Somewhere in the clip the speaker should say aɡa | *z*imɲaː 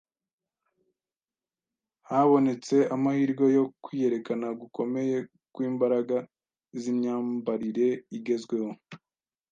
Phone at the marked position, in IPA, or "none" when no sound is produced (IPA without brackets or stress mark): z